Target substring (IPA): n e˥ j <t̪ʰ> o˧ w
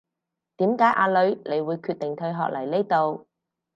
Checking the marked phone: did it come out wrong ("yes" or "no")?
yes